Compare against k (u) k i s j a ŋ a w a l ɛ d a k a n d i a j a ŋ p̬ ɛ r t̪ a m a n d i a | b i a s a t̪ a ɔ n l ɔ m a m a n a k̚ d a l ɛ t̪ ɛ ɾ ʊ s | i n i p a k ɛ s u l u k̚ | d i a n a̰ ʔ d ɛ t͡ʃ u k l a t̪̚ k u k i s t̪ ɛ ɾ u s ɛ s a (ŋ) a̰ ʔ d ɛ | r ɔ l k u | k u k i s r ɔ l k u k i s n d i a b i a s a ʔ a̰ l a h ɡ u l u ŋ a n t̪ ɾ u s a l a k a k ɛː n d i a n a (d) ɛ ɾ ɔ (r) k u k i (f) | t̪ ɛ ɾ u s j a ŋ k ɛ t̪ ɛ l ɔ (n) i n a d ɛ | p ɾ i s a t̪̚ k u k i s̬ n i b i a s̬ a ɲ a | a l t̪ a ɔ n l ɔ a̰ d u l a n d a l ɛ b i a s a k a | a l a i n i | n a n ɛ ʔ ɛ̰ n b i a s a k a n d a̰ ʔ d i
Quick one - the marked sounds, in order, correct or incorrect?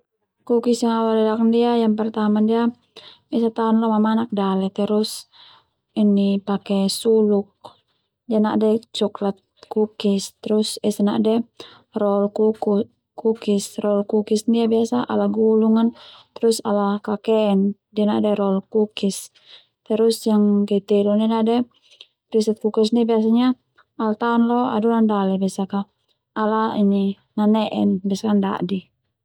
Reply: correct, incorrect: n, correct, incorrect: l, incorrect: s, correct

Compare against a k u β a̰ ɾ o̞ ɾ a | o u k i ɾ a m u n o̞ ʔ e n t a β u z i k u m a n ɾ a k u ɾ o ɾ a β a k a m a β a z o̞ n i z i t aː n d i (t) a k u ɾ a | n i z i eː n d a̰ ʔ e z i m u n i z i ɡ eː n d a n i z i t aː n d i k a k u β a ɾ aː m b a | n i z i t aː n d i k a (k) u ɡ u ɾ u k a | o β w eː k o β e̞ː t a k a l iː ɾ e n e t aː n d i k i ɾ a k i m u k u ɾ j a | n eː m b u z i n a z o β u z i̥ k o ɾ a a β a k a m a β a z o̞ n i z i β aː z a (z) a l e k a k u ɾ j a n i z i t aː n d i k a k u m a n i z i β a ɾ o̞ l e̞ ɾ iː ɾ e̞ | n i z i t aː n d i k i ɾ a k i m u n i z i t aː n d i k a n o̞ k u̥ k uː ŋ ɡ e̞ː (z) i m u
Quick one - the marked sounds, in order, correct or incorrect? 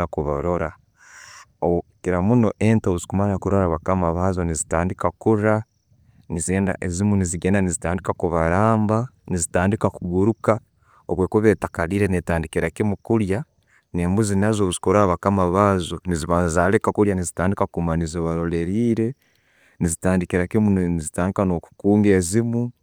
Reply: incorrect: k, correct, correct, correct

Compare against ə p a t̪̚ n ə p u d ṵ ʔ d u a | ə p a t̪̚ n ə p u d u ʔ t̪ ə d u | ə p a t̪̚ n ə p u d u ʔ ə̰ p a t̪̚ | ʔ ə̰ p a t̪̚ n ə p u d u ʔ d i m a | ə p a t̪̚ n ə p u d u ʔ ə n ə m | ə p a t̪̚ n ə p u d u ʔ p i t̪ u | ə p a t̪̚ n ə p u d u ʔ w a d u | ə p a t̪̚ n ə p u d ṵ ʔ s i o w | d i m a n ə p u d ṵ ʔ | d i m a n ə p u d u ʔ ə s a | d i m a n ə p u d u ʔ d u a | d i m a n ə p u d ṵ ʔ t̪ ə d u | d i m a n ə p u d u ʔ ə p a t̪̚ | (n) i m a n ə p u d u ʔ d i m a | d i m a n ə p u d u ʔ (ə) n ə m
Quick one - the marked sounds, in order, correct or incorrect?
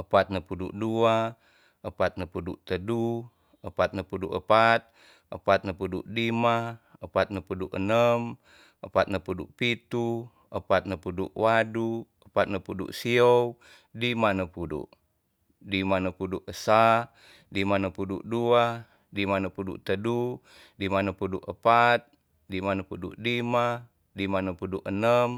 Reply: incorrect: d, correct

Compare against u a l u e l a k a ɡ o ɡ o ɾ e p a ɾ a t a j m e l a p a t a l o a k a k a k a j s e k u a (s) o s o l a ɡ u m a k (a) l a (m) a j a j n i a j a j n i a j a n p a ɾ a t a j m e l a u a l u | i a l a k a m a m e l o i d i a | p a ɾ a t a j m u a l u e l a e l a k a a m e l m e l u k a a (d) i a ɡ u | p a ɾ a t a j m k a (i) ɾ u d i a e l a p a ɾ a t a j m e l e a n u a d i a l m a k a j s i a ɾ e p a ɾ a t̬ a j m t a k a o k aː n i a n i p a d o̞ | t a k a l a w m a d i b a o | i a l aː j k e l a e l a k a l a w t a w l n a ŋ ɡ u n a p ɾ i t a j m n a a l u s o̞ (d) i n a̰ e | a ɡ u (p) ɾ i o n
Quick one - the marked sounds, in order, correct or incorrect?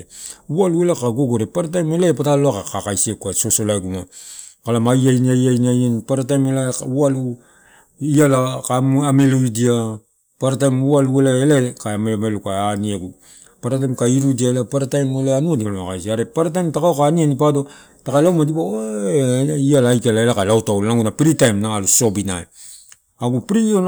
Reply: correct, correct, correct, incorrect: n, correct, incorrect: b, correct

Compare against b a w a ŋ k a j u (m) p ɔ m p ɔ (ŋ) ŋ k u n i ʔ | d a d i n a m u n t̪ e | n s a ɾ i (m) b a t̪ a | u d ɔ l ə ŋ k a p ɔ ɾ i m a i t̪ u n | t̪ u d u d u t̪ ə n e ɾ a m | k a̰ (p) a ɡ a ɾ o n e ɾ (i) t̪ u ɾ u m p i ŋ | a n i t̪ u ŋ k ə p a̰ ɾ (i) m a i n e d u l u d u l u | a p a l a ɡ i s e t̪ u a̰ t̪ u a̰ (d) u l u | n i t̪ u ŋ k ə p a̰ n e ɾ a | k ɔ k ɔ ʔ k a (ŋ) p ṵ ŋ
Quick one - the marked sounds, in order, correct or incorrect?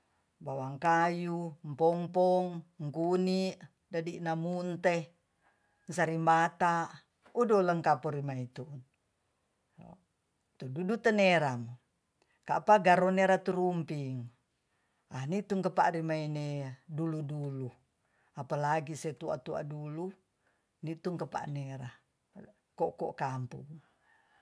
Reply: correct, correct, correct, correct, incorrect: a, correct, correct, incorrect: m

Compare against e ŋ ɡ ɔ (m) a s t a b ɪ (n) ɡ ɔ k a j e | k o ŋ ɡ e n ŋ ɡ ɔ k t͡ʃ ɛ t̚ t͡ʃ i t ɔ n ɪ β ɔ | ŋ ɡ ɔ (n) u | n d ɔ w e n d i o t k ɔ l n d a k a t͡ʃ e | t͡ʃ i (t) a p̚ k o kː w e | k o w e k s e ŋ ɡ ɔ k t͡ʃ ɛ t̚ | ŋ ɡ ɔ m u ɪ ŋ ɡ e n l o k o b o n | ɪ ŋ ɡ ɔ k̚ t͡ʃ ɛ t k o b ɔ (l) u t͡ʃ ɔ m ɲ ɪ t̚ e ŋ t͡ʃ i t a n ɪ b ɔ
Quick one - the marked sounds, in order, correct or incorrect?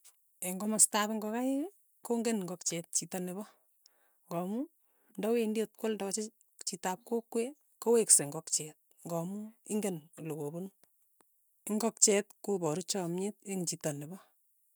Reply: correct, incorrect: ŋ, incorrect: m, correct, incorrect: ɾ

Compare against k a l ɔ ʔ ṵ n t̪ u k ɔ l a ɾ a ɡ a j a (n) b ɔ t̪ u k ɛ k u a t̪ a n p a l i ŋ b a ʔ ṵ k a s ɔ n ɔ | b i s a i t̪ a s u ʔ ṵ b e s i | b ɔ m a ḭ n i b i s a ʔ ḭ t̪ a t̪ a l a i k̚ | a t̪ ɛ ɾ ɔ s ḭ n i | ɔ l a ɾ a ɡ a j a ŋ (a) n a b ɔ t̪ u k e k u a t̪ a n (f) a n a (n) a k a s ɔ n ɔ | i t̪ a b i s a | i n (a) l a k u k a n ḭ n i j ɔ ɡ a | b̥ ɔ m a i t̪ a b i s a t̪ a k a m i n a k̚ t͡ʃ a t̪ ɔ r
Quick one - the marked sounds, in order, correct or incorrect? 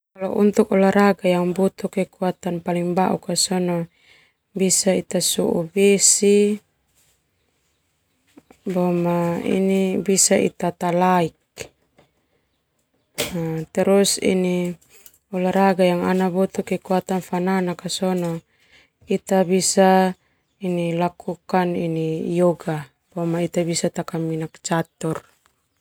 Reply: incorrect: ŋ, correct, correct, correct, incorrect: i

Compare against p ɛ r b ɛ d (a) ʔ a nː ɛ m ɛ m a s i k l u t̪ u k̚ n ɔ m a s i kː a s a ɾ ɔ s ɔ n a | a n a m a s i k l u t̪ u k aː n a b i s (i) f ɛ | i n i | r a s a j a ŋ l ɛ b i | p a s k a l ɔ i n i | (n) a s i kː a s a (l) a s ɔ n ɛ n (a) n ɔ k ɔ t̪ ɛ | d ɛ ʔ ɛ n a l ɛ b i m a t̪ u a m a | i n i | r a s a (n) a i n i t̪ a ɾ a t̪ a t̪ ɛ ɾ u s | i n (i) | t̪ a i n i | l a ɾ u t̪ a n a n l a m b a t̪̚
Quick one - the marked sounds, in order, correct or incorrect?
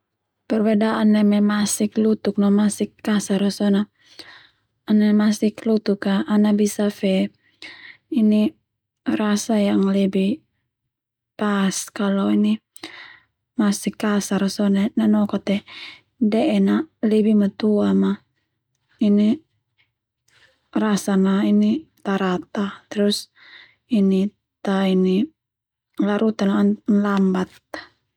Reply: correct, incorrect: a, incorrect: m, incorrect: ɾ, correct, correct, correct

